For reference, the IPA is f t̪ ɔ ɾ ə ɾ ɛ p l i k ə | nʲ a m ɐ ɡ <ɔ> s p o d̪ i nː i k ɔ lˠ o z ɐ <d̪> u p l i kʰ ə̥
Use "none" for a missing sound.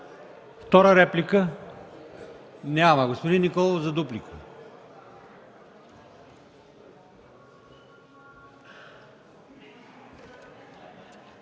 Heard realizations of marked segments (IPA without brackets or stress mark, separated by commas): o, d̪